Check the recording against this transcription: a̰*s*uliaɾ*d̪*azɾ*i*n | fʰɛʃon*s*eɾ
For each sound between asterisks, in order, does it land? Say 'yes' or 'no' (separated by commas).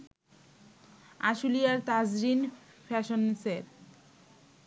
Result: no, no, yes, yes